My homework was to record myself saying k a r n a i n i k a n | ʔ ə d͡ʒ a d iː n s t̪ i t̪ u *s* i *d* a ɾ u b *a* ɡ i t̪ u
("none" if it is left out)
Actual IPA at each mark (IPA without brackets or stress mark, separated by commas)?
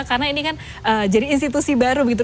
s, b, ə